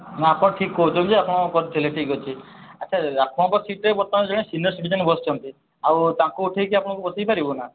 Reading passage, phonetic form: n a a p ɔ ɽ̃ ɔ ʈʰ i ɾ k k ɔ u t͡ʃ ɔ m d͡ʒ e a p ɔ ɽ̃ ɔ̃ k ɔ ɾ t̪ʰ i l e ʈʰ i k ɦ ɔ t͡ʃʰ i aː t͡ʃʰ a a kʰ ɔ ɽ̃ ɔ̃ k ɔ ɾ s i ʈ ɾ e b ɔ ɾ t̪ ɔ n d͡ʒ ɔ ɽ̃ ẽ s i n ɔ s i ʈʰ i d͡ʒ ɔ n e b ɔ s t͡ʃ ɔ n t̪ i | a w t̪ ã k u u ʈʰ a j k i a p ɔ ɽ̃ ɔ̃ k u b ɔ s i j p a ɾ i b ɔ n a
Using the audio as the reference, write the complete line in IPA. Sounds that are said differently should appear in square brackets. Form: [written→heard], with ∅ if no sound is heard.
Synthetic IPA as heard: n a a p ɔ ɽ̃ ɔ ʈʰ i [ɾ→∅] k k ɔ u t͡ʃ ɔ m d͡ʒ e a p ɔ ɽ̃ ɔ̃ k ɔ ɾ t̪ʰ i l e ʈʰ i k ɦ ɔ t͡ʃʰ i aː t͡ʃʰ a a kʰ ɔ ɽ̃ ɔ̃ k ɔ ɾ s i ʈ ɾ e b ɔ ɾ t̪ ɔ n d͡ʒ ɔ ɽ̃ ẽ s i n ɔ s i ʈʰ i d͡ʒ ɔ n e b ɔ s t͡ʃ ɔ n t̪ i | a w t̪ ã k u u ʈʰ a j k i a p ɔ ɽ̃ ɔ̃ k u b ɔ s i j p a ɾ i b ɔ n a